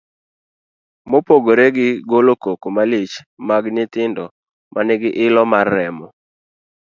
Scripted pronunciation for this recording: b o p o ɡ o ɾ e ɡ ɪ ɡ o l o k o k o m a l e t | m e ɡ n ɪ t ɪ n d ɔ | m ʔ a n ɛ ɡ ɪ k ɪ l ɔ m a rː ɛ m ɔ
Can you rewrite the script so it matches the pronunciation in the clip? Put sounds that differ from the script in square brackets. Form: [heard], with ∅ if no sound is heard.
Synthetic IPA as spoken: [m] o p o ɡ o ɾ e ɡ ɪ ɡ o l o k o k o m a l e [t͡ʃ] | m [a] ɡ n ɪ t ɪ n d ɔ | m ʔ a n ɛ ɡ ɪ [ʔ] ɪ l ɔ m a rː ɛ m ɔ